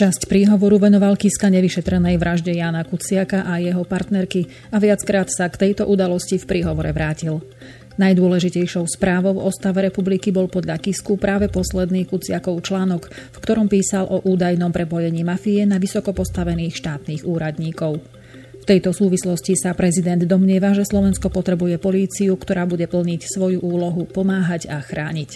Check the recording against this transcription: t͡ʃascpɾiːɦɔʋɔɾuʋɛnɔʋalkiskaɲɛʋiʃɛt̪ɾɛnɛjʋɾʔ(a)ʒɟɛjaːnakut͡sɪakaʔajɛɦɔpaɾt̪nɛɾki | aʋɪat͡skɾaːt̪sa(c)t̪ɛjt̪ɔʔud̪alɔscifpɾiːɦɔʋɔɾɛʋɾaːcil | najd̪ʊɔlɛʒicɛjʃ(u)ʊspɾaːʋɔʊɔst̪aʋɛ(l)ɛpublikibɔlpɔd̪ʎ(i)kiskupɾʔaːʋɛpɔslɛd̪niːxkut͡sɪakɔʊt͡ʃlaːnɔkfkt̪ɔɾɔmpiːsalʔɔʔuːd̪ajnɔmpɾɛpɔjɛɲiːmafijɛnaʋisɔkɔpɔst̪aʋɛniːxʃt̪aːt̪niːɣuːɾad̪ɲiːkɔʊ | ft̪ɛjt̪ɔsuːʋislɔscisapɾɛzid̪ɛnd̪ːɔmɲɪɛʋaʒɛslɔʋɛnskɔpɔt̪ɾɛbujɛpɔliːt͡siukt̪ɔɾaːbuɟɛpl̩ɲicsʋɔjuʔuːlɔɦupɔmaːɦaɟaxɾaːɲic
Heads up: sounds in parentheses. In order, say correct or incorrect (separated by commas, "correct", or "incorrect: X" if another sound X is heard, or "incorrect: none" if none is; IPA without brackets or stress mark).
correct, incorrect: k, incorrect: ɔ, incorrect: ɾ, incorrect: a